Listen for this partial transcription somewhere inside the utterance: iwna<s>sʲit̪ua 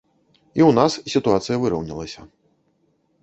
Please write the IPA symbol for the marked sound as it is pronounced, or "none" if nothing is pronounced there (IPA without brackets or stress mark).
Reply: s